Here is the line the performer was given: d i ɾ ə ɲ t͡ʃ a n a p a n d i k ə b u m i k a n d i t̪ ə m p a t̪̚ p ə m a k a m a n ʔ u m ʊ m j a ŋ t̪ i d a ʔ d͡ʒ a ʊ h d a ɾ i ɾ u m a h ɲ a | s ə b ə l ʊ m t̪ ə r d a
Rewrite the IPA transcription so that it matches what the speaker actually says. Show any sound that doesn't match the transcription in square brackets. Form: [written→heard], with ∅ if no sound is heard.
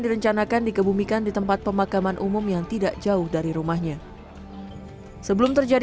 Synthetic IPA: d i ɾ ə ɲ t͡ʃ a n a [p→k] a n d i k ə b u m i k a n d i t̪ ə m p a t̪̚ p ə m a k a m a n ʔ u m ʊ m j a ŋ t̪ i d a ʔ d͡ʒ a ʊ h d a ɾ i ɾ u m a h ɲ a | s ə b ə l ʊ m t̪ ə r [d→d͡ʒ] a